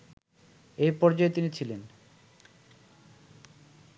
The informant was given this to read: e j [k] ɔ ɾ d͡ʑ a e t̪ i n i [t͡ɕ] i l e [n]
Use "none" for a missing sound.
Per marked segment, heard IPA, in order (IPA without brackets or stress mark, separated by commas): p, t͡ɕʰ, n